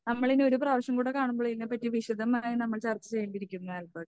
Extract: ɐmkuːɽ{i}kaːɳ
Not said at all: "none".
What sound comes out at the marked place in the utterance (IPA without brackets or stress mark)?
e